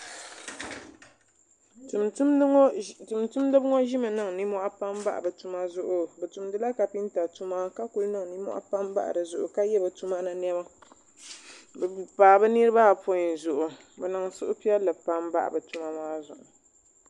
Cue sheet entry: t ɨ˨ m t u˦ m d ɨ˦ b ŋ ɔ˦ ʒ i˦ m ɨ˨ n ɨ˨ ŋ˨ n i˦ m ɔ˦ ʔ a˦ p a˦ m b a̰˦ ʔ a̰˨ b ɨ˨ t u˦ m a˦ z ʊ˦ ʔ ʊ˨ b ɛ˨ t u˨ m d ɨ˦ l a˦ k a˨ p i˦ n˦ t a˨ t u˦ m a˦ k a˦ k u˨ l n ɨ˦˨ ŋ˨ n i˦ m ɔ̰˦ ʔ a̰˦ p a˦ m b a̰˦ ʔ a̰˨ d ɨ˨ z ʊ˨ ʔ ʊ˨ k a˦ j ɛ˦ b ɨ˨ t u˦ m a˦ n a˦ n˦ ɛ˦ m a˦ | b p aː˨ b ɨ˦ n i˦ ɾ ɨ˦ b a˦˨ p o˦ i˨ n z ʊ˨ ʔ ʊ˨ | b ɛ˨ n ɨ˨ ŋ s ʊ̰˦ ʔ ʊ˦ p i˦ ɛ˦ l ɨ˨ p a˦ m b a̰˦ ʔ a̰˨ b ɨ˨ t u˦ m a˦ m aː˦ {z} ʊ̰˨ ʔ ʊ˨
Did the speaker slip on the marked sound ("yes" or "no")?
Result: no